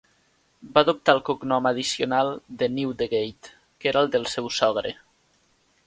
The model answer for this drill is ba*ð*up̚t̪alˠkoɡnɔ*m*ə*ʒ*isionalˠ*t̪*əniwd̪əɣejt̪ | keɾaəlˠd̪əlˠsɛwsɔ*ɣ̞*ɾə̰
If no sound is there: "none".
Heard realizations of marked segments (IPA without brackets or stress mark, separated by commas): ð, m, ð, d̪, ɣ̞